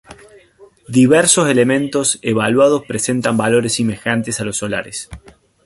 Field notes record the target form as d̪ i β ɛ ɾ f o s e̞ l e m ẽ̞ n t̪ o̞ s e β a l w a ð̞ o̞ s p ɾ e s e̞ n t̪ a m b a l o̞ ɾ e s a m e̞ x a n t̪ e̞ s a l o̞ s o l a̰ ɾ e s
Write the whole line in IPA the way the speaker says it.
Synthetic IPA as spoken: d̪ i β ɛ ɾ s o s e̞ l e m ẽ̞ n t̪ o̞ s e β a l w a ð̞ o̞ s p ɾ e s e̞ n t̪ a m b a l o̞ ɾ e s i m e̞ x a n t̪ e̞ s a l o̞ s o l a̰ ɾ e s

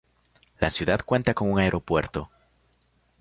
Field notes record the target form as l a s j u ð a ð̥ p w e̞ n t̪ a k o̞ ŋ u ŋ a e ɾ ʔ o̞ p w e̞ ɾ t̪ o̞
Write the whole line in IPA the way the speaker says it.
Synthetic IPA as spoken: l a s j u ð a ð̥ k w e̞ n t̪ a k o̞ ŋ u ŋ a e ɾ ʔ o̞ p w e̞ ɾ t̪ o̞

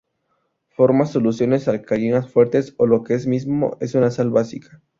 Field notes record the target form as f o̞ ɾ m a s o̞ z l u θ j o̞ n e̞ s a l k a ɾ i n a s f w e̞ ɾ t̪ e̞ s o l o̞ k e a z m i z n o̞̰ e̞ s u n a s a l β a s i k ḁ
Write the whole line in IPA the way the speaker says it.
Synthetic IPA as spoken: f o̞ ɾ m a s o̞ l u s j o̞ n e̞ s a l k a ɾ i n a s f w e̞ ɾ t̪ e̞ s o l o̞ k e e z m i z m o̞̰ e̞ s u n a s a l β a s i k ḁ

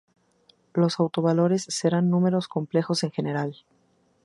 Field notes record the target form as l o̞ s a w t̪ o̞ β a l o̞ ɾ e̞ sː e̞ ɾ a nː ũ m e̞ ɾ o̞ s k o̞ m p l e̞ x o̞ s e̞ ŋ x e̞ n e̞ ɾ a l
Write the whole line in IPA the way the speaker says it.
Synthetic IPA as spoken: l o̞ s a w t̪ o̞ β a l o̞ ɾ e̞ sː e̞ ɾ a nː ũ m e̞ ɾ o̞ s k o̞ m p l e̞ x o̞ s e̞ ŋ x e̞ n e̞ ɾ a l

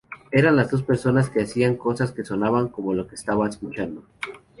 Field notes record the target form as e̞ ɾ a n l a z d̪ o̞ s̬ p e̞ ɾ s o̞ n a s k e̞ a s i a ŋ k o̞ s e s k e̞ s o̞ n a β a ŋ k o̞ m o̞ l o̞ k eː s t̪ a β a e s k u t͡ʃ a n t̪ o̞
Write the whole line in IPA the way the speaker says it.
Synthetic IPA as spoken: e̞ ɾ a n l a z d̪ o̞ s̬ p e̞ ɾ s o̞ n a s k e̞ a s i a ŋ k o̞ s a s k e̞ s o̞ n a β a ŋ k o̞ m o̞ l o̞ k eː s t̪ a β a e s k u t͡ʃ a n d̪ o̞

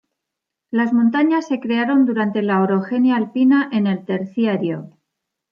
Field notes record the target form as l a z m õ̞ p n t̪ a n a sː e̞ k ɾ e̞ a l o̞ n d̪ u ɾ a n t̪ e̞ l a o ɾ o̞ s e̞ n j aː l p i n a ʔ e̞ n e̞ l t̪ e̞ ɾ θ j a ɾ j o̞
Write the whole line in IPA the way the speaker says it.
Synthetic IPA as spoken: l a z m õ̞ n t̪ a ɲ a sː e̞ k ɾ e̞ a ɾ o̞ n d̪ u ɾ a n t̪ e̞ l a o ɾ o̞ x e̞ n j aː l p i n a ʔ e̞ n e̞ l t̪ e̞ ɾ θ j a ɾ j o̞

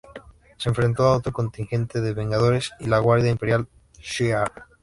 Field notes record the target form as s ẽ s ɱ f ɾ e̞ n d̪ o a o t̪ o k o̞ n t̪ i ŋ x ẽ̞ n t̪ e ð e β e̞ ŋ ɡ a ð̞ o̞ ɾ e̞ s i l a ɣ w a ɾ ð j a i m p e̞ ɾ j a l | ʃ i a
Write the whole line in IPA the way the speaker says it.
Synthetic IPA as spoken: s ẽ ɱ f ɾ e̞ n t̪ o a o t̪ o k o̞ n t̪ i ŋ x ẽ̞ n t̪ e ð e β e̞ ŋ ɡ a ð̞ o̞ ɾ e̞ s i l a ɣ w a ɾ ð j a i m p e̞ ɾ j a l | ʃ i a

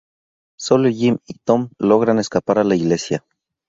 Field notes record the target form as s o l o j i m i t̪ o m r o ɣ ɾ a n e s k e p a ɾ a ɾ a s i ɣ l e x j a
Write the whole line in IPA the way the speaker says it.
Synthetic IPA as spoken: s o l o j i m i t̪ o m l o ɣ ɾ a n e s k a p a ɾ a l a i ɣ l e s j a

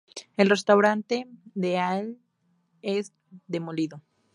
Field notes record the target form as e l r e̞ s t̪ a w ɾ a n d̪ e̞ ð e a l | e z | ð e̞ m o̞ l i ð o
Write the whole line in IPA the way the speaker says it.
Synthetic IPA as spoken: e l r e̞ s t̪ a w ɾ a n t̪ e̞ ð e a l | e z | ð e̞ m o̞ l i ð o

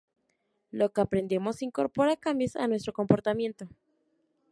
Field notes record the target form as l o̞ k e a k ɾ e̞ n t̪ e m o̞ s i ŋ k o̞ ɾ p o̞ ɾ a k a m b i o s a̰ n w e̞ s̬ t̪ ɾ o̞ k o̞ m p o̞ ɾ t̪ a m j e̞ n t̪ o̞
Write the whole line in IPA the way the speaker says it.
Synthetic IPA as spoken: l o̞ k e a p ɾ e̞ n d̪ e m o̞ s i ŋ k o̞ ɾ p o̞ ɾ a k a m b j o s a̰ n w e̞ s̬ t̪ ɾ o̞ k o̞ m p o̞ ɾ t̪ a m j e̞ n t̪ o̞

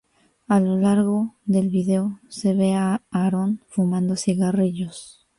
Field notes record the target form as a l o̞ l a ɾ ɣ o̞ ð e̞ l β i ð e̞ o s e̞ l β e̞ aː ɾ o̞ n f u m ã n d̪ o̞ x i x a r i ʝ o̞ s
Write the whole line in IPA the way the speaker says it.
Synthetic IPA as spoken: a l o̞ l a ɾ ɣ o̞ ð e̞ l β i ð e̞ o s e̞ β e̞ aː ɾ o̞ n f u m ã n d̪ o̞ s i ɣ a r i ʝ o̞ s

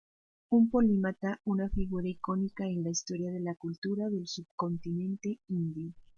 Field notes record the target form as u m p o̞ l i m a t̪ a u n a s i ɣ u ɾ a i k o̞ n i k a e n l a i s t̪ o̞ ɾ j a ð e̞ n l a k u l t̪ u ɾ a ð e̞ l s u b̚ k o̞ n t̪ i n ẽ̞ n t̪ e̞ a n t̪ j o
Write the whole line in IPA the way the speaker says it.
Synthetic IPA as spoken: u m p o̞ l i m a t̪ a u n a f i ɣ u ɾ a i k o̞ n i k a e n l a i s t̪ o̞ ɾ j a ð e̞ l a k u l t̪ u ɾ a ð e̞ l s u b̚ k o̞ n t̪ i n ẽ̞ n t̪ e̞ i n d̪ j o

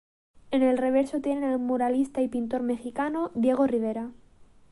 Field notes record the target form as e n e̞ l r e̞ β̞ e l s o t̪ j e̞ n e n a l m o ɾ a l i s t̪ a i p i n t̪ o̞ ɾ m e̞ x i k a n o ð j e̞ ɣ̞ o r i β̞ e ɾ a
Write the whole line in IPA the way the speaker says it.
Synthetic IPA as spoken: e n e̞ l r e̞ β̞ e ɾ s o t̪ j e̞ n e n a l m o ɾ a l i s t̪ a i p i n t̪ o̞ ɾ m e̞ x i k a n o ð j e̞ ɣ̞ o r i β̞ e ɾ a

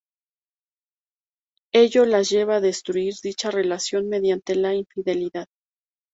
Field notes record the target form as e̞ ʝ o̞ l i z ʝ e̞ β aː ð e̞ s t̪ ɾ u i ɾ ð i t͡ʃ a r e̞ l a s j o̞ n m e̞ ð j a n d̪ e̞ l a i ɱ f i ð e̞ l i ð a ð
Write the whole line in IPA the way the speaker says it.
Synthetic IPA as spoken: e̞ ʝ o̞ l a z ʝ e̞ β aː ð e̞ s t̪ ɾ u i ɾ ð i t͡ʃ a r e̞ l a s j o̞ n m e̞ ð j a n t̪ e̞ l a i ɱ f i ð e̞ l i ð a ð

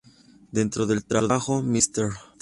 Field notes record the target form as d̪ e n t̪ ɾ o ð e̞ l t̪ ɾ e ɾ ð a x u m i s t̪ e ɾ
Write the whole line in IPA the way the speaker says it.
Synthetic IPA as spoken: d̪ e n t̪ ɾ o ð e̞ l t̪ ɾ a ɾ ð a x o m i s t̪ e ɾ

